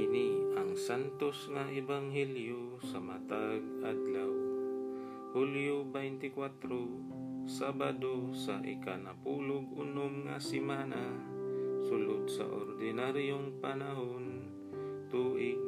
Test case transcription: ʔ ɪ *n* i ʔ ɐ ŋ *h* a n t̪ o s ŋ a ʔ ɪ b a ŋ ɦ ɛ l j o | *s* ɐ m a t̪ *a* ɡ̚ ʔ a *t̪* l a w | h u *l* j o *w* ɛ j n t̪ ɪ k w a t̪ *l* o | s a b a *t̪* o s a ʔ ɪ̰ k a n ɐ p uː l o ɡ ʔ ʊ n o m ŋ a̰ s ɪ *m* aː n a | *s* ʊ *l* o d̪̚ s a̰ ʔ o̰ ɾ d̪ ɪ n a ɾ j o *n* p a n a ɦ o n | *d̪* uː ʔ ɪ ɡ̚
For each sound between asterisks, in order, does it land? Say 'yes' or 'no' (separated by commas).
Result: yes, no, yes, yes, no, yes, no, no, no, yes, yes, yes, no, no